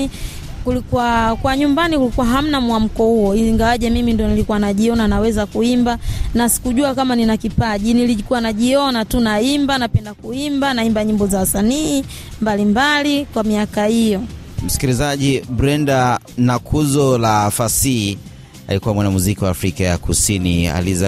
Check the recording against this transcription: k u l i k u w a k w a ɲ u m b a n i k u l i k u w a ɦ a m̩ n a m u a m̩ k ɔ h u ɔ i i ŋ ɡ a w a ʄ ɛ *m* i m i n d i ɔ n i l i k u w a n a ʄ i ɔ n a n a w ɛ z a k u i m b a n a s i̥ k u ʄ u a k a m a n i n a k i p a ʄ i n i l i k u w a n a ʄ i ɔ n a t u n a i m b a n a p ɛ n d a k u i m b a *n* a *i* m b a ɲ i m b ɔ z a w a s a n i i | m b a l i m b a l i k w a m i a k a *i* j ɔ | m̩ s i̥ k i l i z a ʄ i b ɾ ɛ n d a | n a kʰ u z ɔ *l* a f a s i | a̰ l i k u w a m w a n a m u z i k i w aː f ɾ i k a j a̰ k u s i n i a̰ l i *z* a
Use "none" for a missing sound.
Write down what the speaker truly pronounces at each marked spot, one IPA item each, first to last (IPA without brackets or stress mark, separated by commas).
m, n, i, i, l, z